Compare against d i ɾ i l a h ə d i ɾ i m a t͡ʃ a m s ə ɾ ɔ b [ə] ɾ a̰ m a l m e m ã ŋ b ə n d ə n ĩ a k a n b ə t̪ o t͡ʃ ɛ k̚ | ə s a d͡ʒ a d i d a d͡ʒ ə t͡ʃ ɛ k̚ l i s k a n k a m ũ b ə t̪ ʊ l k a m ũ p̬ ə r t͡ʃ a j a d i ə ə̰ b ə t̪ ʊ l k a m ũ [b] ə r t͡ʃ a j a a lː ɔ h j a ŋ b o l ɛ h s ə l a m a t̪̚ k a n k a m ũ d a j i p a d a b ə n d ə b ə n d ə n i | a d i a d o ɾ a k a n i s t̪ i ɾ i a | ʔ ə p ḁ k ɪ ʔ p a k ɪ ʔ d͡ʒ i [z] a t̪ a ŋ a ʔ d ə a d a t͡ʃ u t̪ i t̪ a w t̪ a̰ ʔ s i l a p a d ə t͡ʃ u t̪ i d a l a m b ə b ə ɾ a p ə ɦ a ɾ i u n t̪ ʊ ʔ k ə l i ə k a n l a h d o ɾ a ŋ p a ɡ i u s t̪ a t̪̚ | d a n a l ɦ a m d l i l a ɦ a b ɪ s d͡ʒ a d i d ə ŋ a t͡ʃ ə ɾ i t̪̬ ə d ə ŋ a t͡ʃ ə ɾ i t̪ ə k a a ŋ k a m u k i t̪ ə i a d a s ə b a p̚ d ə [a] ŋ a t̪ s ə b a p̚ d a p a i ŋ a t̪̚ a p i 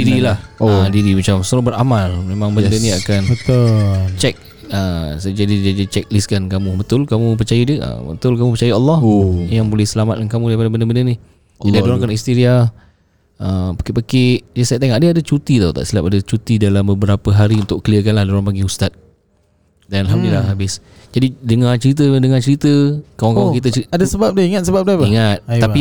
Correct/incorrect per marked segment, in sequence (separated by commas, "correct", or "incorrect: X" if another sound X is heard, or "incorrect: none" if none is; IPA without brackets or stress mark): correct, incorrect: p, incorrect: s, incorrect: i